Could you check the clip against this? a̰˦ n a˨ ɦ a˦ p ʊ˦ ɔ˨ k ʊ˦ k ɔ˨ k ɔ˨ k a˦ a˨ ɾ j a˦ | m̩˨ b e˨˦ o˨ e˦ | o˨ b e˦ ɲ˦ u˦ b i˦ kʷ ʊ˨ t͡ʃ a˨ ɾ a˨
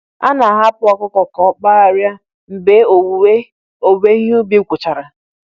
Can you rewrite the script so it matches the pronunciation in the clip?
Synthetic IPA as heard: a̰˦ n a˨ ɦ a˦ p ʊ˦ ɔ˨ k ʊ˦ k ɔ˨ k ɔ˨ k͡p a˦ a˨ ɾ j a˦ | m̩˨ b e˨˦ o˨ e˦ | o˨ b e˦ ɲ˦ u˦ b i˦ kʷ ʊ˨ t͡ʃ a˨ ɾ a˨